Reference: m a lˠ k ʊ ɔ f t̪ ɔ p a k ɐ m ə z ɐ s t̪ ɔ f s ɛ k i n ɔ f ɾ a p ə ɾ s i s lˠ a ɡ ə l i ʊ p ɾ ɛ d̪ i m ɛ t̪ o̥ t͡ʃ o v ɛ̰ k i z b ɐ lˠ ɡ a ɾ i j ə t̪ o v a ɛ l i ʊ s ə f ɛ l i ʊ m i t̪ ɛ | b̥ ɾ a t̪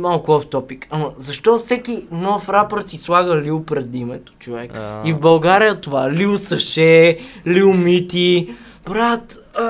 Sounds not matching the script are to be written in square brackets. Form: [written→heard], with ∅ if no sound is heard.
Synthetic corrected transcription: m a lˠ k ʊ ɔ f t̪ ɔ p [a→i] k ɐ m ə z ɐ [s→ʃ] t̪ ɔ f s ɛ k i n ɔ f ɾ a p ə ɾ s i s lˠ a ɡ ə l i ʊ p ɾ ɛ d̪ i m ɛ t̪ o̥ t͡ʃ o v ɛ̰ k i [z→v] b ɐ lˠ ɡ a ɾ i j ə t̪ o v a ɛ l i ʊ s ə [f→ʃ] ɛ l i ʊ m i t̪ [ɛ→i] | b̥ ɾ a t̪